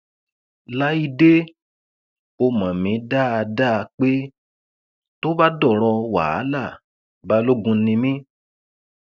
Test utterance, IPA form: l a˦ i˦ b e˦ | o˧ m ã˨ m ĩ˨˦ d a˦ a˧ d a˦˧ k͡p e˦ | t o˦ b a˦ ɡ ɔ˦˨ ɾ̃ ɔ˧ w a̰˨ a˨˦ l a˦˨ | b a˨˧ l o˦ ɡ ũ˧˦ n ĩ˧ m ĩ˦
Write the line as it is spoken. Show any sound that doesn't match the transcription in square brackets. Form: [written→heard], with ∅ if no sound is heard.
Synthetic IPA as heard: l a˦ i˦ [b→d] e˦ | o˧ m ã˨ m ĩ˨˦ d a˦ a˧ d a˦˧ k͡p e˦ | t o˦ b a˦ [ɡ→d] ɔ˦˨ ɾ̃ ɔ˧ w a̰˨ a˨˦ l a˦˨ | b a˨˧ l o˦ ɡ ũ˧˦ n ĩ˧ m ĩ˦